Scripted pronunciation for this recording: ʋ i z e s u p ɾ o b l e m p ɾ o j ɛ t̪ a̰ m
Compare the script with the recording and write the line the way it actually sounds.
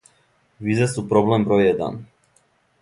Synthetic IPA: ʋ i z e s u p ɾ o b l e m b ɾ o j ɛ d̪ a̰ n

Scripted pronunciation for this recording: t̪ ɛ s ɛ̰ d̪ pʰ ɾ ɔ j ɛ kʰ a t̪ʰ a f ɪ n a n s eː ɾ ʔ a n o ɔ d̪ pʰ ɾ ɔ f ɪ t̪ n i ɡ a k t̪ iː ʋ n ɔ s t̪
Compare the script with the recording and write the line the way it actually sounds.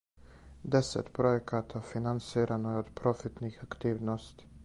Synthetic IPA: d̪ ɛ s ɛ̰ t̪ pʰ ɾ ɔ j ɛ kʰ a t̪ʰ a f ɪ n a n s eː ɾ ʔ a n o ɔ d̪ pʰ ɾ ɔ f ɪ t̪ n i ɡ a k t̪ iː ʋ n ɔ s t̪

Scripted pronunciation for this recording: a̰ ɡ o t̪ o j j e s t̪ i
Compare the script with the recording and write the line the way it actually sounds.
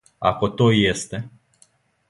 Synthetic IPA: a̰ k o t̪ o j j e s t̪ e

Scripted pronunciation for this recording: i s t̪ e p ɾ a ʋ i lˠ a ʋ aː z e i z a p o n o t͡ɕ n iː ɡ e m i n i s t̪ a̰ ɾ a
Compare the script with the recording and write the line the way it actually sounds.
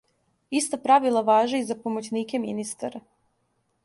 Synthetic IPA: i s t̪ a p ɾ a ʋ i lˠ a ʋ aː ʒ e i z a p o m o t͡ɕ n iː k e m i n i s t̪ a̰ ɾ a

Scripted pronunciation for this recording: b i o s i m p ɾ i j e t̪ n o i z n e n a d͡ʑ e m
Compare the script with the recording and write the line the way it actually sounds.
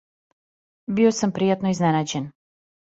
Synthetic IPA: b i o s a m p ɾ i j a t̪ n o i z n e n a d͡ʑ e n

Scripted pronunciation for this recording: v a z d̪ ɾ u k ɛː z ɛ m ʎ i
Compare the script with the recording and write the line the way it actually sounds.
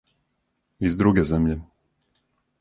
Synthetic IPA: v i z d̪ ɾ u ɡ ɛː z ɛ m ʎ ɛ

